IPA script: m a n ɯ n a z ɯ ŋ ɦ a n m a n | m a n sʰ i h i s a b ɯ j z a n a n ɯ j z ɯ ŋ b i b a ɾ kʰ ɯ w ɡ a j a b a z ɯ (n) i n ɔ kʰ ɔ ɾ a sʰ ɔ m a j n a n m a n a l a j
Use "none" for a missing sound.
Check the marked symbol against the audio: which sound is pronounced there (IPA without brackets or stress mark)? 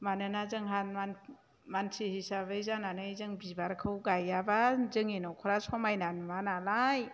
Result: ŋ